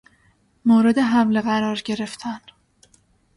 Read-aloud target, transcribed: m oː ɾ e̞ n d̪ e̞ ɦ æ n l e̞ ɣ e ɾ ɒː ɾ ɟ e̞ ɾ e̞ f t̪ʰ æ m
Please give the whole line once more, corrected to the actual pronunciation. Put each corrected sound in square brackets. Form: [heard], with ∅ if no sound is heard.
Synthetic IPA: m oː ɾ e̞ [∅] d̪ e̞ ɦ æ [m] l e̞ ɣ [æ] ɾ ɒː ɾ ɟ e̞ ɾ e̞ f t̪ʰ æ [n]